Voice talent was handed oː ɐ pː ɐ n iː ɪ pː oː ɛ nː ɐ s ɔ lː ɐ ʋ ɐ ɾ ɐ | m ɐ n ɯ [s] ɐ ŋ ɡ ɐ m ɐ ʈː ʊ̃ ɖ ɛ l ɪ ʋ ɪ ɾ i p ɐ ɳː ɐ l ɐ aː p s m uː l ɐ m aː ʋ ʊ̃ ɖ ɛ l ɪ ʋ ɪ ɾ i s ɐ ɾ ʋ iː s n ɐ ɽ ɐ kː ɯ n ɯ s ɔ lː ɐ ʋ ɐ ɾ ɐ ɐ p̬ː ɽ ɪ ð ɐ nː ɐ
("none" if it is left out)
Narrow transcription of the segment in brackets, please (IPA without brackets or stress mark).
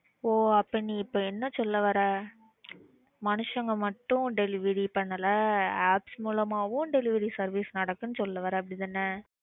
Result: ʂ